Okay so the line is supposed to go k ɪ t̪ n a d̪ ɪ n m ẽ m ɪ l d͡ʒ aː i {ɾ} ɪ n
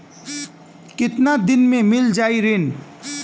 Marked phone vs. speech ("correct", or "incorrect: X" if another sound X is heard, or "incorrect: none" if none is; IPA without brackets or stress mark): correct